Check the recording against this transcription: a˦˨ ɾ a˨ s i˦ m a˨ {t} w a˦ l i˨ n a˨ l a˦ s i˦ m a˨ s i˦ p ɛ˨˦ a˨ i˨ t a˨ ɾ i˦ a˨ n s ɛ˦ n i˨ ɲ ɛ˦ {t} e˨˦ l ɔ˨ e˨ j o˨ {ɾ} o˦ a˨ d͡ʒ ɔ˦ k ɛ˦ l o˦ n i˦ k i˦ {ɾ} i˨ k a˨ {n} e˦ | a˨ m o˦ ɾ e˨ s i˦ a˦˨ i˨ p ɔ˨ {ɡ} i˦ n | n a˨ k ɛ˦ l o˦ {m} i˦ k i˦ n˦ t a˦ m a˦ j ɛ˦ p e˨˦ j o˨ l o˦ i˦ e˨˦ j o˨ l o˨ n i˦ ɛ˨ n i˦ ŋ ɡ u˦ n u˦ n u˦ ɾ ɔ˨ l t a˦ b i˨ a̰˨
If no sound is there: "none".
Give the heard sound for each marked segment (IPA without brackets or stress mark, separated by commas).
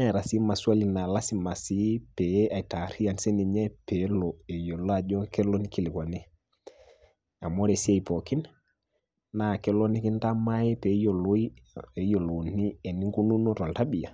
s, p, l, l, n, k, n